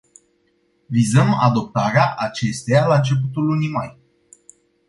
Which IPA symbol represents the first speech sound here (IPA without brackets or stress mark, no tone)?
v